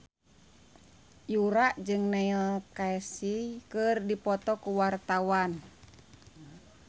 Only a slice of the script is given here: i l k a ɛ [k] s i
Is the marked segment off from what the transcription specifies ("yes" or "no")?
yes